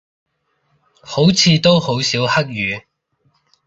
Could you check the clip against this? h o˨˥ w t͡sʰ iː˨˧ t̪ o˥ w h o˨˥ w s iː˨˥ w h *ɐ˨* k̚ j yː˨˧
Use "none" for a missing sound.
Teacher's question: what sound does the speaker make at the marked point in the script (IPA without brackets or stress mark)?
ɐ˥